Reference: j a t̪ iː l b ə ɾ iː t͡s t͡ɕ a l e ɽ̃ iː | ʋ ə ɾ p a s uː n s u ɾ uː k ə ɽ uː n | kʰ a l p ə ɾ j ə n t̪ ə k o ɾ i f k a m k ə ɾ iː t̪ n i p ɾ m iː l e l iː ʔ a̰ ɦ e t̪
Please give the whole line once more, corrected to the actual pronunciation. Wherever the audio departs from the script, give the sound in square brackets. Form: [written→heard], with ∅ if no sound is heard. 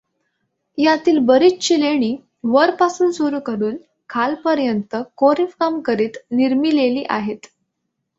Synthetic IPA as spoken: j a t̪ iː l b ə ɾ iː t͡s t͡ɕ [a→i] l e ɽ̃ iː | ʋ ə ɾ p a s uː n s u ɾ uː k ə [ɽ→ɾ] uː n | kʰ a l p ə ɾ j ə n t̪ ə k o ɾ i f k a m k ə ɾ iː t̪ n i [p→∅] ɾ m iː l e l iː ʔ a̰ ɦ e t̪